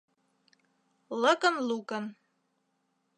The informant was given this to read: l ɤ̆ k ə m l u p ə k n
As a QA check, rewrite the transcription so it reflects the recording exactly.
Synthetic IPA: l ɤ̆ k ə n l u k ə n